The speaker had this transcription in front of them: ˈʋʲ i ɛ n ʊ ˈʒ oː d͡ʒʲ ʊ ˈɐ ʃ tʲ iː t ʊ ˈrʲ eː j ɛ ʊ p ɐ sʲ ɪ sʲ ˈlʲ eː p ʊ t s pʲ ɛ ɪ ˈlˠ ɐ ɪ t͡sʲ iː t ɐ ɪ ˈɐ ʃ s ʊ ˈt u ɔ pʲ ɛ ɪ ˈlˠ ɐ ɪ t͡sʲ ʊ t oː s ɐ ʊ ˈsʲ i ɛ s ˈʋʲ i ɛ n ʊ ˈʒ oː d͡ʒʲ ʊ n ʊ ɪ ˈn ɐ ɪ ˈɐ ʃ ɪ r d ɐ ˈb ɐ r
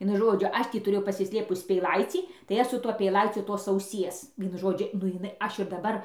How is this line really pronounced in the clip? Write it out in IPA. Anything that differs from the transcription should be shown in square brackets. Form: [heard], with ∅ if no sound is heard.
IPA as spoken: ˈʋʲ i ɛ n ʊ ˈʒ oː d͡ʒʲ ʊ ˈɐ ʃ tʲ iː t ʊ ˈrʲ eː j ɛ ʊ p ɐ sʲ ɪ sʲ ˈlʲ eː p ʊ [∅] s pʲ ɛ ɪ ˈlˠ ɐ ɪ t͡sʲ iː t ɐ ɪ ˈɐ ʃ s ʊ ˈt u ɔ pʲ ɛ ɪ ˈlˠ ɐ ɪ t͡sʲ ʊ t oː s ɐ ʊ ˈsʲ i ɛ s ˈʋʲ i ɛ n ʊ ˈʒ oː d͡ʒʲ ʊ n ʊ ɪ ˈn ɐ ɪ ˈɐ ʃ ɪ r d ɐ ˈb ɐ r